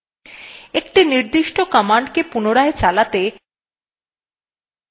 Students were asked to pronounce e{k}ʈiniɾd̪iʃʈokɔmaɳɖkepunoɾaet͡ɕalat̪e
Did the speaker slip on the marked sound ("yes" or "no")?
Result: no